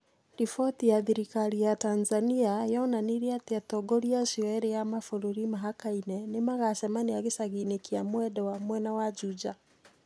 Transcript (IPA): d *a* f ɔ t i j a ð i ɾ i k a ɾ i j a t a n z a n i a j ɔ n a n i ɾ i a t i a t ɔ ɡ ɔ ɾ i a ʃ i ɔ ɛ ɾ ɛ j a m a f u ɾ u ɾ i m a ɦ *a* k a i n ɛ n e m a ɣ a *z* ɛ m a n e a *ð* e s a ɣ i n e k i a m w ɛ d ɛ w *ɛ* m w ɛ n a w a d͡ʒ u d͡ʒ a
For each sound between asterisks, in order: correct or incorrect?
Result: incorrect, correct, incorrect, incorrect, incorrect

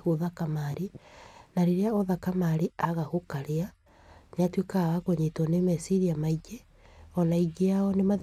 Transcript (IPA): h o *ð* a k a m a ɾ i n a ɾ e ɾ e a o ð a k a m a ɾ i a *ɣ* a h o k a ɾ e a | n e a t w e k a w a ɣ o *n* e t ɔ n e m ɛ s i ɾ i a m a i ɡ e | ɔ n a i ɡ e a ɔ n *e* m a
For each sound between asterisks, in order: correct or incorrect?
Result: correct, correct, incorrect, correct

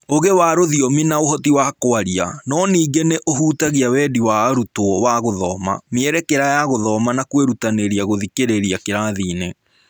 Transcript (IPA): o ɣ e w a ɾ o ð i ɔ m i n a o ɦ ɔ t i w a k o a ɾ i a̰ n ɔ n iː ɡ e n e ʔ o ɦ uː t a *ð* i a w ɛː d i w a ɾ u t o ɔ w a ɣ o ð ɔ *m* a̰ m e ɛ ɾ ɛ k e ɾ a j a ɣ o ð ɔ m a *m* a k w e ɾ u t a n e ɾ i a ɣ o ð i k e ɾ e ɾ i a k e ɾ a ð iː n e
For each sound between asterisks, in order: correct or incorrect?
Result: incorrect, correct, incorrect

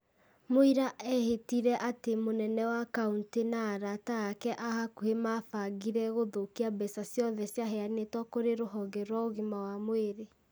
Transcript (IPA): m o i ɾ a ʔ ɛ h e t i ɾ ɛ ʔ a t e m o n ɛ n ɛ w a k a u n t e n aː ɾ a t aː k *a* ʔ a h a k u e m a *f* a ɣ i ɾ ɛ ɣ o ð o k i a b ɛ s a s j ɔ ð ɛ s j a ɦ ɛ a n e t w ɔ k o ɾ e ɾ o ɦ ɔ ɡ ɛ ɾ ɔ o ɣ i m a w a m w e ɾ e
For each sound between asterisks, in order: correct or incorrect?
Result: incorrect, correct

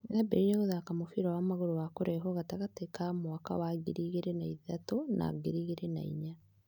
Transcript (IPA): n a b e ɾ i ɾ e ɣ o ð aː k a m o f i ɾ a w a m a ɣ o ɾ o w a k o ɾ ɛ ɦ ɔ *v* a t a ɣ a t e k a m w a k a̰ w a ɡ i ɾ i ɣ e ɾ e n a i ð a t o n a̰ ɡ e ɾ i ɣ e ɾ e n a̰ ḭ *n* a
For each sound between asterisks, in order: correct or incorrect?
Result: incorrect, incorrect

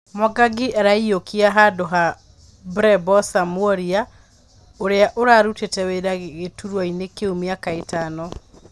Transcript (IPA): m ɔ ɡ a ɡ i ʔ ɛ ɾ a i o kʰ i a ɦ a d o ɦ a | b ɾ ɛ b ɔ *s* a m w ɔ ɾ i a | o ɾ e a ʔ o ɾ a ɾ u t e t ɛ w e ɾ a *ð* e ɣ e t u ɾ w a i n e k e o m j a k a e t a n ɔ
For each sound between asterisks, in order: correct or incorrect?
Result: correct, incorrect

